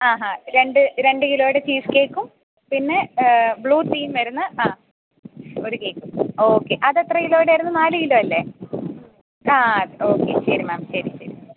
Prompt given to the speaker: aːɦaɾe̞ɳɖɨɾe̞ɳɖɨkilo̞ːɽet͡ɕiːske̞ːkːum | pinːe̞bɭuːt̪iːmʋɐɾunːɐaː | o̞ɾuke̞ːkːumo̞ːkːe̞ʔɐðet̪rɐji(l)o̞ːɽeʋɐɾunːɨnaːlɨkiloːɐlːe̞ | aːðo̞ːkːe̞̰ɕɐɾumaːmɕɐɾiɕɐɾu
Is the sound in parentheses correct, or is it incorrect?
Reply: correct